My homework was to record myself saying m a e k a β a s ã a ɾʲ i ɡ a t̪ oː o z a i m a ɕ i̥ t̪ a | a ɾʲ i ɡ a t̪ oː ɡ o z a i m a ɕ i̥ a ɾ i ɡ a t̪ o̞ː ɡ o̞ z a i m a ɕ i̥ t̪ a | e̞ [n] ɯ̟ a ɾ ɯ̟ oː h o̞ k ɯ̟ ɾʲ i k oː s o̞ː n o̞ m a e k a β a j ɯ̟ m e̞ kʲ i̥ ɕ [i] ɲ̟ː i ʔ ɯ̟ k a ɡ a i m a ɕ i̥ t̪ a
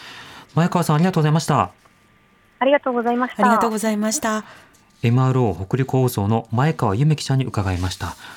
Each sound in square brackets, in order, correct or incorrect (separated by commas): incorrect, incorrect